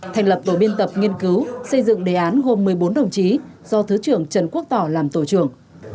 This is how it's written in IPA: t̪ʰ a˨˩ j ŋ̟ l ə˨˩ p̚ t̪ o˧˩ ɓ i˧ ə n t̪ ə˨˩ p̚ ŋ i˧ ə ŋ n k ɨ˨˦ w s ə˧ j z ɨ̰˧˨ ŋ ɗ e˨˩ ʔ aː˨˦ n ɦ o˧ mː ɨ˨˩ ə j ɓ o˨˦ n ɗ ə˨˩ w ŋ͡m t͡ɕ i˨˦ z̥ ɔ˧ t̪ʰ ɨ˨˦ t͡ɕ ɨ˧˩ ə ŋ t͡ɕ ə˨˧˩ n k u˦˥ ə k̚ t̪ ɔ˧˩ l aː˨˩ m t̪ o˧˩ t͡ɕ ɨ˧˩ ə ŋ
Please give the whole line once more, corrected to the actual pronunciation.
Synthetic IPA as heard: t̪ʰ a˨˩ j ŋ̟ l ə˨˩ p̚ t̪ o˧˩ ɓ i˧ ə n t̪ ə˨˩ p̚ ŋ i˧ ə n k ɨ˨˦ w s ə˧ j z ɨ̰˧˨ ŋ ɗ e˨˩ ʔ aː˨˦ n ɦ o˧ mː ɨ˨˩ ə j ɓ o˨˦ n ɗ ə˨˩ w ŋ͡m t͡ɕ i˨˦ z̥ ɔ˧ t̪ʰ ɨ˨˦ t͡ɕ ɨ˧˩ ə ŋ t͡ɕ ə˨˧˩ n k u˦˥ ə k̚ t̪ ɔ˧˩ l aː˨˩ m t̪ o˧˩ t͡ɕ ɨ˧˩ ə ŋ